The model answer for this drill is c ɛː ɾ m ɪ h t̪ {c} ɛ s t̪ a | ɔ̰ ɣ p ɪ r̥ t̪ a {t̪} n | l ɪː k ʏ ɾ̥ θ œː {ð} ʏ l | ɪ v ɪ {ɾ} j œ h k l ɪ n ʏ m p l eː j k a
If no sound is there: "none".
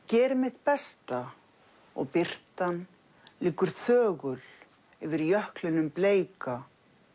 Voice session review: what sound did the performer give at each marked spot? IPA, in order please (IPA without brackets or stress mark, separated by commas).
p, none, ɣ, ɾ